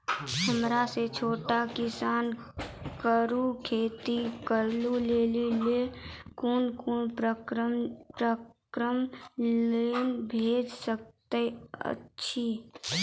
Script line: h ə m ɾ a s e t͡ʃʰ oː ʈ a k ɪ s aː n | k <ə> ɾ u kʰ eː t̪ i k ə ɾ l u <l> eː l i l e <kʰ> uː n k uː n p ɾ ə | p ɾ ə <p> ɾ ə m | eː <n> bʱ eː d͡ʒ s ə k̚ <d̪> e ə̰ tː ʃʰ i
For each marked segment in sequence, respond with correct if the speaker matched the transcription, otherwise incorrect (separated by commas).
correct, correct, incorrect, incorrect, correct, incorrect